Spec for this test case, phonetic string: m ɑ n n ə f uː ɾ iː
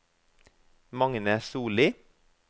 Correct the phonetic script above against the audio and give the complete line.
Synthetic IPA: m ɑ ŋ n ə s uː l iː